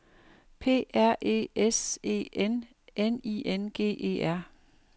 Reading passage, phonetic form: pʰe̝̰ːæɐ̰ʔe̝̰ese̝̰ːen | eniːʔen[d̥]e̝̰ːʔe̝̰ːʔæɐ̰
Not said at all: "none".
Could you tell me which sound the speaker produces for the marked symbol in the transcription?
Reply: ɡ̥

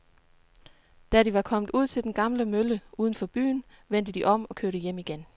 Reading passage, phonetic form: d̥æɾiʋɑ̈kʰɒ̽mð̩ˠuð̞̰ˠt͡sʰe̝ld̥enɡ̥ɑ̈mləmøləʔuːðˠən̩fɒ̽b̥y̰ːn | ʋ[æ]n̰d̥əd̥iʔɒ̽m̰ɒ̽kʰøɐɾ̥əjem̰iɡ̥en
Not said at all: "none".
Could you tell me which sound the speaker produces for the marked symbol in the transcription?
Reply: e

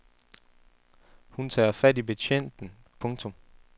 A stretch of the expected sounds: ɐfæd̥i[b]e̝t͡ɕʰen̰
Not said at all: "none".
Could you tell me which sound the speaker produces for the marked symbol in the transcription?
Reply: b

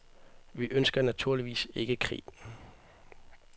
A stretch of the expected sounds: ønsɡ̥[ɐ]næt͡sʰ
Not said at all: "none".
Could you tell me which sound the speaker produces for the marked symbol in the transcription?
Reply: ɐ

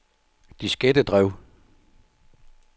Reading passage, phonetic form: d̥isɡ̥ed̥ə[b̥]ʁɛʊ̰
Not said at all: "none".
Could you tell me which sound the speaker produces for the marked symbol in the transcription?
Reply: d̥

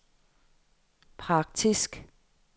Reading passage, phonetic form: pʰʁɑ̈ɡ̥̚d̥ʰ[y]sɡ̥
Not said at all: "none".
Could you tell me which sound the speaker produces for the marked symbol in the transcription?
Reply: i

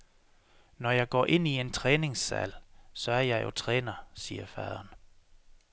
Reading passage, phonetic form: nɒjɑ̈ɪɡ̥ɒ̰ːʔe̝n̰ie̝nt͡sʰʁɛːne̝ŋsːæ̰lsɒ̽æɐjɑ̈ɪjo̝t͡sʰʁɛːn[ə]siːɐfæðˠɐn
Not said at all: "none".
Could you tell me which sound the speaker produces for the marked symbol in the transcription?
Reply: ɐ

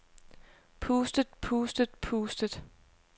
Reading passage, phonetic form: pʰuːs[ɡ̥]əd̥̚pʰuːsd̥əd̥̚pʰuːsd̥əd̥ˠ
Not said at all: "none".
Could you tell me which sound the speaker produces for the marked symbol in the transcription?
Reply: d̥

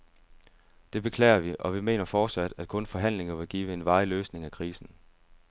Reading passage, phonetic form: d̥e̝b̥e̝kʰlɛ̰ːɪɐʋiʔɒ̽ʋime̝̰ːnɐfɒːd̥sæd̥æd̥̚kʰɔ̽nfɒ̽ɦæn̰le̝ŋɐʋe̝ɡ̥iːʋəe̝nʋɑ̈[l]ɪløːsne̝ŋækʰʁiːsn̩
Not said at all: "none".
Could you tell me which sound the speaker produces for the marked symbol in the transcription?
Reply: none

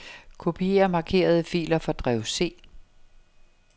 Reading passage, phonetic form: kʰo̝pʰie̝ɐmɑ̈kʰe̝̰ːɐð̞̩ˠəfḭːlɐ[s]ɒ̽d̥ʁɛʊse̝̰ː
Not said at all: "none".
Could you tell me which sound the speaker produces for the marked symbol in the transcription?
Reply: f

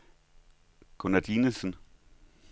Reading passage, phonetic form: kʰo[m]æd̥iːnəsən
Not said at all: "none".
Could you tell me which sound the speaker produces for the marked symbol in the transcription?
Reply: n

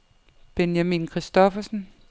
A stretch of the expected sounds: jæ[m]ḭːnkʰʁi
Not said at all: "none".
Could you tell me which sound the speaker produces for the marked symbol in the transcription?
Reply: m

